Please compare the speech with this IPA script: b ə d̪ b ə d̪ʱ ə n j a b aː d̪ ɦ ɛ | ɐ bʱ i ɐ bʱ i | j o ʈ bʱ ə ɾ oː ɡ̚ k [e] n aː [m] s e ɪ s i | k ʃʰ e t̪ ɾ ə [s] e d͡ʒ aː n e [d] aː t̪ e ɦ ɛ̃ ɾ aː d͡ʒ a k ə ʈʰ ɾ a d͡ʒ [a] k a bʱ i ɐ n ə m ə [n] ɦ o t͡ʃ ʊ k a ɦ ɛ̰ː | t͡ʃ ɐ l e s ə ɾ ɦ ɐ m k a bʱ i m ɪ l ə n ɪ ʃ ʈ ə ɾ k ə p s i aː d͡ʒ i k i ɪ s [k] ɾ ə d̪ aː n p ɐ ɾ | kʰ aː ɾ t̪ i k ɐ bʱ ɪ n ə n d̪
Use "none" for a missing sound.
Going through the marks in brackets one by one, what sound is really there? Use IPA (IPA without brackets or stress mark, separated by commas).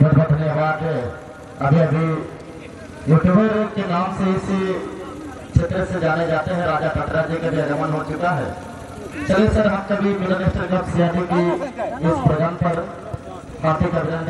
e, m, s, d͡ʒ, i, n, p